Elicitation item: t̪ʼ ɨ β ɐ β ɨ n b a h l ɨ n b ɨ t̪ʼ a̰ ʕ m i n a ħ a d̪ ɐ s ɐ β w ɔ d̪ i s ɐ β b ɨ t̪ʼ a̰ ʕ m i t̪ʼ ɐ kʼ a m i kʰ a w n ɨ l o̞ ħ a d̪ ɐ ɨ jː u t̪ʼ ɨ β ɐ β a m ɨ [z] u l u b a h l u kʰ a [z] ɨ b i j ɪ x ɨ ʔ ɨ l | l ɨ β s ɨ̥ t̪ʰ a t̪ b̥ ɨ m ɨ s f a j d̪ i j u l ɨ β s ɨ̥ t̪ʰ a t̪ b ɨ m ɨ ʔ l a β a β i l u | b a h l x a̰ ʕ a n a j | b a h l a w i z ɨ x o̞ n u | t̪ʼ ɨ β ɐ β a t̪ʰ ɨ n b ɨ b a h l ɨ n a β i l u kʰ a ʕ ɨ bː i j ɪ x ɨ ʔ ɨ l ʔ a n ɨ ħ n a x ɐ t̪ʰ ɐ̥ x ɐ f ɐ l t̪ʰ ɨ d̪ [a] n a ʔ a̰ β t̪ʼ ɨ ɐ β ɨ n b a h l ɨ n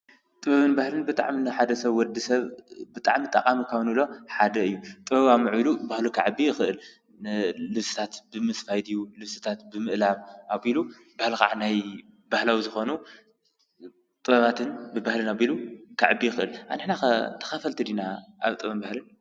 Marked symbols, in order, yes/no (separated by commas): no, no, no